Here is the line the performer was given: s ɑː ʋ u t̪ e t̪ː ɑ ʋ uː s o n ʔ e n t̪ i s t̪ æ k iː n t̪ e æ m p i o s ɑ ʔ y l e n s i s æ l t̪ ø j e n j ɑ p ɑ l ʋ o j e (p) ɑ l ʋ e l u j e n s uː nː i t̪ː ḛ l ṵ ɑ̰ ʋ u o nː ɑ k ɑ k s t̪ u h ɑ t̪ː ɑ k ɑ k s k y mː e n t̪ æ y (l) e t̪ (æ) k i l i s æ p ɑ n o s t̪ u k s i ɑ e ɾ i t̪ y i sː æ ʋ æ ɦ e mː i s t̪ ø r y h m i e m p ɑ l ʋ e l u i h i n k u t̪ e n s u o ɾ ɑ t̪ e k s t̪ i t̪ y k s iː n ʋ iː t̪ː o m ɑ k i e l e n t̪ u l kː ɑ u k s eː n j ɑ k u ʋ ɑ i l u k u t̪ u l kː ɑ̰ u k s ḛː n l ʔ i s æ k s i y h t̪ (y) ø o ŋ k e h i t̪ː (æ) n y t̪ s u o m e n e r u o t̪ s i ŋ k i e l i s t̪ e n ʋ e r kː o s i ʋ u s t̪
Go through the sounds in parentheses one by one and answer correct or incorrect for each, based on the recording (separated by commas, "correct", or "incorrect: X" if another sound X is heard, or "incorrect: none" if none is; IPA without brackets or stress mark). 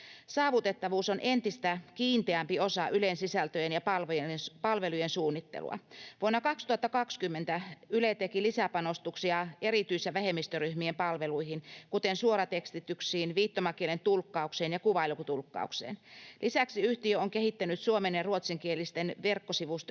correct, correct, incorrect: e, incorrect: i, correct